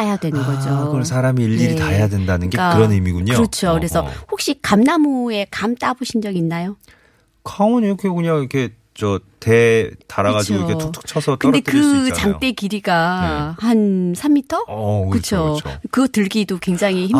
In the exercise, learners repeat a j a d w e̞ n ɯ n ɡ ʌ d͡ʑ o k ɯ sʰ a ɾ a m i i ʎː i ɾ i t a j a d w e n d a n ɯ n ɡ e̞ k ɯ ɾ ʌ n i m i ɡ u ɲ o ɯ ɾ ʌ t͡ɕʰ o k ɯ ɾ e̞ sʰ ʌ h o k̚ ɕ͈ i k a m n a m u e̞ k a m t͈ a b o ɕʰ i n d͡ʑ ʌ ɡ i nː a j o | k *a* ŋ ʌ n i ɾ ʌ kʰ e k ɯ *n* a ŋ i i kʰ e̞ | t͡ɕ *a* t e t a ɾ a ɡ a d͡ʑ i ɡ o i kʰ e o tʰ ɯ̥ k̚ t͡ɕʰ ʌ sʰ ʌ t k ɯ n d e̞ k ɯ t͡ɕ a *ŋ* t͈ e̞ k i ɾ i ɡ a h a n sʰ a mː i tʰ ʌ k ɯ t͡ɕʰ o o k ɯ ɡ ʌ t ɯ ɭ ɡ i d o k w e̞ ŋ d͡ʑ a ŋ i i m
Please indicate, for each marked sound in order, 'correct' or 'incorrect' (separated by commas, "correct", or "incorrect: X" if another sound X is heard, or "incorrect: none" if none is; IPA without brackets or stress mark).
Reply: correct, incorrect: ɲ, incorrect: ʌ, correct